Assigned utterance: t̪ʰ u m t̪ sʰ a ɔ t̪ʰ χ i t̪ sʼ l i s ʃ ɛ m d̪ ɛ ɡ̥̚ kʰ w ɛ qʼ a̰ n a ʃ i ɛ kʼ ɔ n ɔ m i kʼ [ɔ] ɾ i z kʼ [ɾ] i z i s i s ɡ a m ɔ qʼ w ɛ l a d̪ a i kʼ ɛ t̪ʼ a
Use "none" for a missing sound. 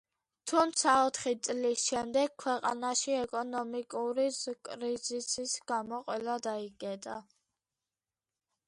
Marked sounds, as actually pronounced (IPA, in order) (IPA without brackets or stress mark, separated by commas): u, ɾ